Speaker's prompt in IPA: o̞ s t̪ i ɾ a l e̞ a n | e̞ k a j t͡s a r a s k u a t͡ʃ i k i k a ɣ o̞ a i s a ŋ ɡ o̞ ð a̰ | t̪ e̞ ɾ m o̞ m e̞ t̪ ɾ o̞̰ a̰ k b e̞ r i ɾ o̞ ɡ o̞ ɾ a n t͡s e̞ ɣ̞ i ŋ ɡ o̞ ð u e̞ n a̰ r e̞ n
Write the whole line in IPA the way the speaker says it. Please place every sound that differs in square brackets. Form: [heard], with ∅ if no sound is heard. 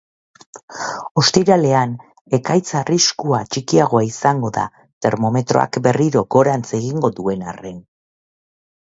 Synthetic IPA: o̞ s t̪ i ɾ a l e̞ a n | e̞ k a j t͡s a r [i] s k u a t͡ʃ i k i [∅] a ɣ o̞ a i s a ŋ ɡ o̞ ð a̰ | t̪ e̞ ɾ m o̞ m e̞ t̪ ɾ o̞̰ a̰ k b e̞ r i ɾ o̞ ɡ o̞ ɾ a n t͡s e̞ ɣ̞ i ŋ ɡ o̞ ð u e̞ n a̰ r e̞ n